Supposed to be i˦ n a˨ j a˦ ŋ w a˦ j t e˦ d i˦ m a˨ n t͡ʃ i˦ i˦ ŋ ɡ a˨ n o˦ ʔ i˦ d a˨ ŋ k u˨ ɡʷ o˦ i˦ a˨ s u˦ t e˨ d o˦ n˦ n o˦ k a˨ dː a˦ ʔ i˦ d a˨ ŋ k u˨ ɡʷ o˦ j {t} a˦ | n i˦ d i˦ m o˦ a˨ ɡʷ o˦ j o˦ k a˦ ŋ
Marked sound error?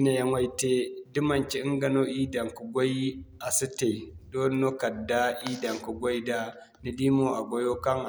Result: yes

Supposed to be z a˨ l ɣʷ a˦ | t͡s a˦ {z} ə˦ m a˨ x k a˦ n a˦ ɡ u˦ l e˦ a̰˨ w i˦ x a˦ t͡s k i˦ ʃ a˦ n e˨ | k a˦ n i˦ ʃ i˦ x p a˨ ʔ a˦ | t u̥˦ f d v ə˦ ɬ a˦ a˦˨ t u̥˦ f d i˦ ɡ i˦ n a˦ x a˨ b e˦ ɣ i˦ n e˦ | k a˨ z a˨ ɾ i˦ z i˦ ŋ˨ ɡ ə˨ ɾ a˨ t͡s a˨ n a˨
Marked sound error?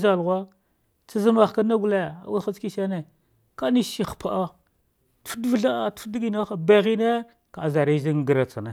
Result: no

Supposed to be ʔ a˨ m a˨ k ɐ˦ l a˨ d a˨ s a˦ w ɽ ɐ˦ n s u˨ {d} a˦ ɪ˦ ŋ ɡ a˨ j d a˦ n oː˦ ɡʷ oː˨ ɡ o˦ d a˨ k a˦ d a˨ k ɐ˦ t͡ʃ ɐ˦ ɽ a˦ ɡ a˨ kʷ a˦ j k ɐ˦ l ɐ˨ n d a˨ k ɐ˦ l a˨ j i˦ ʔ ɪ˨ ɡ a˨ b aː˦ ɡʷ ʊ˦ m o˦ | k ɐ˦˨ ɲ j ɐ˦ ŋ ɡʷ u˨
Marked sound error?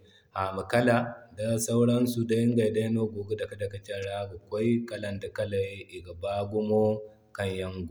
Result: no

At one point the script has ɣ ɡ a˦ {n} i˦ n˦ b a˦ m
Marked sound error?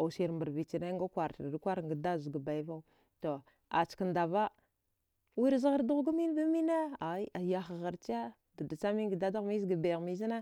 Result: yes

